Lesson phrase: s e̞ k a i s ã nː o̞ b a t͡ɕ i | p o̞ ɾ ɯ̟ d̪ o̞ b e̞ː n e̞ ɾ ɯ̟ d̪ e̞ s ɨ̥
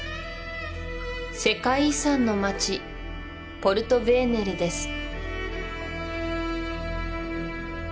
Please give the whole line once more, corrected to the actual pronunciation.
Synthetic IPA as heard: s e̞ k a i s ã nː o̞ m a t͡ɕ i | p o̞ ɾ ɯ̟ t̪ o̞ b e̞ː n e̞ ɾ ɯ̟ d̪ e̞ s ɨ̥

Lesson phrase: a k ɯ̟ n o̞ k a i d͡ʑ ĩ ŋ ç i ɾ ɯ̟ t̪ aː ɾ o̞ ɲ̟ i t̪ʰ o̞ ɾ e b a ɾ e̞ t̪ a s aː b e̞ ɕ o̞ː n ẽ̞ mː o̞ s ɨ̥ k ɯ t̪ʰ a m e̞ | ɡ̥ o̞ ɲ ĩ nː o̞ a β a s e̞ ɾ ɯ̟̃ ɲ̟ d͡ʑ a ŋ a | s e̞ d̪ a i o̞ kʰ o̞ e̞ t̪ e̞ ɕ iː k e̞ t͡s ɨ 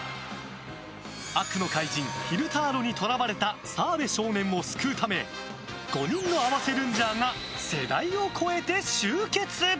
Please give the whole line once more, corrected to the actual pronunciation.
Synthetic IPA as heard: a k ɯ̟ n o̞ k a i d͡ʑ ĩ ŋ ç i ɾ ɯ̟ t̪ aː ɾ o̞ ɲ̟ i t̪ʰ o̞ ɾ a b a ɾ e̞ t̪ a s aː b e̞ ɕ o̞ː n ẽ̞ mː o̞ s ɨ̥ k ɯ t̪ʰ a m e̞ | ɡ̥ o̞ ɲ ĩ nː o̞ a β a s e̞ ɾ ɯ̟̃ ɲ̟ d͡ʑ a ŋ a | s e̞ d̪ a i o̞ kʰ o̞ e̞ t̪ e̞ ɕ ɨː k e̞ t͡s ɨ

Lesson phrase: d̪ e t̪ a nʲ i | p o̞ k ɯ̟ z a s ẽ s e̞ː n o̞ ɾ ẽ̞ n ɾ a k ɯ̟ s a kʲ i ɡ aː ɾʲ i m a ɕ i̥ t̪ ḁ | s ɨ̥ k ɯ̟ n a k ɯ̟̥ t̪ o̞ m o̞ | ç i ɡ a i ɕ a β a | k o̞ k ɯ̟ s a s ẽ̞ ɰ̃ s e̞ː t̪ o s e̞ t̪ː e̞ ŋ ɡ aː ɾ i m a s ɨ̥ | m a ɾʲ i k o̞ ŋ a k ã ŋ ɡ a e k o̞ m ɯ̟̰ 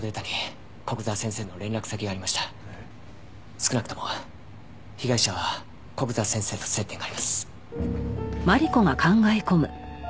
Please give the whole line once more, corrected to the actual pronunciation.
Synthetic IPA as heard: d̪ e t̪ a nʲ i | k o̞ k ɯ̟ z a s ẽ s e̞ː n o̞ ɾ ẽ̞ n ɾ a k ɯ̟ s a kʲ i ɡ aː ɾʲ i m a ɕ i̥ t̪ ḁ | s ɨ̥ k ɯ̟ n a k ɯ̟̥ t̪ o̞ m o̞ | ç i ɡ a i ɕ a β a | k o̞ k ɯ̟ z a s ẽ̞ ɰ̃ s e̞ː t̪ o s e̞ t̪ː e̞ ŋ ɡ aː ɾ i m a s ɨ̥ | m a ɾʲ i k o̞ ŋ a k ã ŋ ɡ a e k o̞ m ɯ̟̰

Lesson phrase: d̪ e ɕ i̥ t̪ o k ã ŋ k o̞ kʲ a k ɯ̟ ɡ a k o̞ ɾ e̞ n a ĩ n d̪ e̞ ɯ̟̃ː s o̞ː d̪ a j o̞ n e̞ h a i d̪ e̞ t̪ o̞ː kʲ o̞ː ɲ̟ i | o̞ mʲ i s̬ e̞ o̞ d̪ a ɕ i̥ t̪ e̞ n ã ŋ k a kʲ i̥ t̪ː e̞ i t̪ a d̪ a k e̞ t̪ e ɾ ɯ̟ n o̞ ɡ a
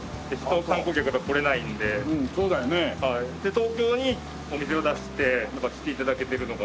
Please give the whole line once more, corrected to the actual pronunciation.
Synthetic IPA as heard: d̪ e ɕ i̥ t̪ o k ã ŋ k o̞ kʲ a k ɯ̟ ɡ a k o̞ ɾ e̞ n a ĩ n d̪ e̞ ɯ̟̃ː s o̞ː d̪ a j o̞ n e̞ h a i d̪ e̞ t̪ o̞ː kʲ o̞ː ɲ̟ i | o̞ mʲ i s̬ e̞ o̞ d̪ a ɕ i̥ t̪ e̞ n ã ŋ k a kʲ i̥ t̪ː e̞ i t̪ a d̪ a k e̞ t̪ e ɾ ɯ̟ n o̞ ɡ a

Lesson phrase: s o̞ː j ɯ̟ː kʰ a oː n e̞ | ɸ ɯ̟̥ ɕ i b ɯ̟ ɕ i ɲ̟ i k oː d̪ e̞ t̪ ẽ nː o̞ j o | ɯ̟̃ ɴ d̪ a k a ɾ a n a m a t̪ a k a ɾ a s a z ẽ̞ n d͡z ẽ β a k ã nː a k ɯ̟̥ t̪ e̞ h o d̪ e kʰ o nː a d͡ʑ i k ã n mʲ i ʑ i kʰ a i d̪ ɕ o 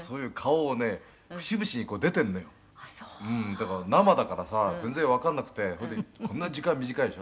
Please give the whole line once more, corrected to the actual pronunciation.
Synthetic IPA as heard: s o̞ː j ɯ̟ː kʰ a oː n e̞ | ɸ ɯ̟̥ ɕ i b ɯ̟ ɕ i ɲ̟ i k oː d̪ e̞ t̪ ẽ nː o̞ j o | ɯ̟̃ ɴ d̪ a k a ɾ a n a m a d̪ a k a ɾ a s a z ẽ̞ n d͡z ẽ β a k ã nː a k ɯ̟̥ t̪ e̞ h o d̪ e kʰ o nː a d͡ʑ i k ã m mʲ i ʑ i k a i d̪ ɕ o

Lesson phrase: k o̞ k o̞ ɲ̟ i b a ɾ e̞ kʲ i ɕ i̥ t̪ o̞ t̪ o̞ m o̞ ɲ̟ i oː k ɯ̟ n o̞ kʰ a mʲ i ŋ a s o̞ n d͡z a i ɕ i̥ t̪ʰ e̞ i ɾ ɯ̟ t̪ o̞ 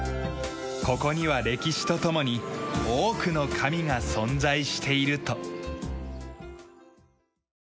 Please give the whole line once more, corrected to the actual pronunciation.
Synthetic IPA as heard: k o̞ k o̞ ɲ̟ i β a ɾ e̞ kʲ i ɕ i̥ t̪ o̞ t̪ o̞ m o̞ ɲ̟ i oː k ɯ̟ n o̞ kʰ a mʲ i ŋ a s õ̞ n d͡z a i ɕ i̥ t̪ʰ e̞ i ɾ ɯ̟ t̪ o̞

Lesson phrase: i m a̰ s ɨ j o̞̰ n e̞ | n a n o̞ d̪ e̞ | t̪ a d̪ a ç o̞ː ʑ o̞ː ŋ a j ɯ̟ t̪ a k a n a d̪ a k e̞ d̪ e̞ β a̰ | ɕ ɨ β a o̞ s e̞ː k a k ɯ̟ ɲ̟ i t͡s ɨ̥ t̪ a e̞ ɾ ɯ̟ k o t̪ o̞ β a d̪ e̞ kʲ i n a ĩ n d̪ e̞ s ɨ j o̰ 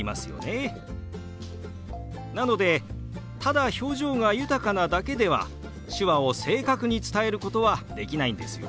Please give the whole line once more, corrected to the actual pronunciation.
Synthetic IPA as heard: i m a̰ s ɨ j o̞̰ n e̞ | n a n o̞ d̪ e̞ | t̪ a d̪ a ç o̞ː ʑ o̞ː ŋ a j ɯ̟ t̪ a k a n a d̪ a k e̞ d̪ e̞ β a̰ | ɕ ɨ β a o̞ s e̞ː k a k ɯ̟ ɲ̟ i t͡s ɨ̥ t̪ a e̞ ɾ ɯ̟ k o t̪ o̞ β a d̪ e̞ kʲ i n a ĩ n d̪ e̞ s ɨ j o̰

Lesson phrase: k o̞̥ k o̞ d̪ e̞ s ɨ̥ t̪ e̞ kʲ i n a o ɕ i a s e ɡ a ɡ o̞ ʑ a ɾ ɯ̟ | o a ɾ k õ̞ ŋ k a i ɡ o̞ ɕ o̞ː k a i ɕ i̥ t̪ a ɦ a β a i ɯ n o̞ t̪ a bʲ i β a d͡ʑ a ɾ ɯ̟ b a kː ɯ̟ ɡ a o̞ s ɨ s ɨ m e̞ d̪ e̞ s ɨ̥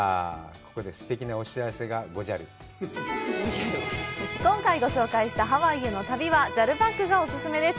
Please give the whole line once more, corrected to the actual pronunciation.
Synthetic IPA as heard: k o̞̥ k o̞ d̪ e̞ s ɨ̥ t̪ e̞ kʲ i n a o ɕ i a s e ɡ a ɡ o̞ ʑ a ɾ ɯ̟ | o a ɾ k õ̞ ŋ k a i ɡ o̞ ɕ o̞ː k a i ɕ i̥ t̪ a ɦ a β a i ɯ n o̞ t̪ a bʲ i β a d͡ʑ a ɾ ɯ̟ b a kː ɯ̟ ɡ a o̞ s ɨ s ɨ m e̞ d̪ e̞ s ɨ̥

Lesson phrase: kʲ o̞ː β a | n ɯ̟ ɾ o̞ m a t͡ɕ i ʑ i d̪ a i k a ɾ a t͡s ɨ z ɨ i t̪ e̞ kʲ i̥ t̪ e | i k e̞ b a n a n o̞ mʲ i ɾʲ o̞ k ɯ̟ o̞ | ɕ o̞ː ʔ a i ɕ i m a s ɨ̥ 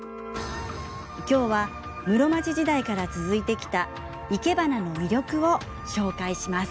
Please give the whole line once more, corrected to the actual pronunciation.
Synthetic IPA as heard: kʲ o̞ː β a | m ɯ̟ ɾ o̞ m a t͡ɕ i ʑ i d̪ a i k a ɾ a t͡s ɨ z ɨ i t̪ e̞ kʲ i̥ t̪ a | i k e̞ b a n a n o̞ mʲ i ɾʲ o̞ k ɯ̟ o̞ | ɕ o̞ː k a i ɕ i m a s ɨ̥

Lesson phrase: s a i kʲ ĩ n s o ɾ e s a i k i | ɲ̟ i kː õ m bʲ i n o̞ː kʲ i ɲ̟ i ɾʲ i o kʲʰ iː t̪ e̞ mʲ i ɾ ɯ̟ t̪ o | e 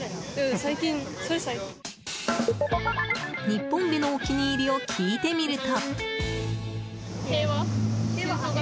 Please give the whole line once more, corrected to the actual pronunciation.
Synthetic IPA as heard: s a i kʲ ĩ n s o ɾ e s a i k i | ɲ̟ i pː õ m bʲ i n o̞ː kʲ i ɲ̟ iː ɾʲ i o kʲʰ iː t̪ e̞ mʲ i ɾ ɯ̟ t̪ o | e

